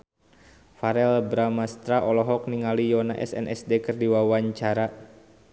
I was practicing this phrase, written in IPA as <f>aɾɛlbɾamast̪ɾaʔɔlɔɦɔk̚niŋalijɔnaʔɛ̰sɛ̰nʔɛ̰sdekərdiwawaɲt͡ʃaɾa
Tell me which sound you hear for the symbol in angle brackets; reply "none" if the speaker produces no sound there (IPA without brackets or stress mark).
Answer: f